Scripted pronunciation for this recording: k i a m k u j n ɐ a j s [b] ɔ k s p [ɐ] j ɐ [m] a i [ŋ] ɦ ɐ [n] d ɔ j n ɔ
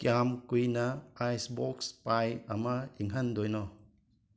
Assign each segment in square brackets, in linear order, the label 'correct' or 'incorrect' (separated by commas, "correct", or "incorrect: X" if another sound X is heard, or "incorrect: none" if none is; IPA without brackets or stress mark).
correct, incorrect: a, correct, correct, correct